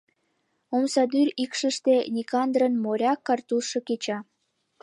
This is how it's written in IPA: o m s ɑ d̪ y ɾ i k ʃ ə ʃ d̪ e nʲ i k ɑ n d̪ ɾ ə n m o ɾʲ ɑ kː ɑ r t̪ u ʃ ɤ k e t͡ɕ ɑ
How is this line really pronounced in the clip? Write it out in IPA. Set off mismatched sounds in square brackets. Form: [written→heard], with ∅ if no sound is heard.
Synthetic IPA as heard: o m s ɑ d̪ y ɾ i k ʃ ə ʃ [d̪→t̪] e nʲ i k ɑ n d̪ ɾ ə n m o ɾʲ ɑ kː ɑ r t̪ u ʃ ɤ k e t͡ɕ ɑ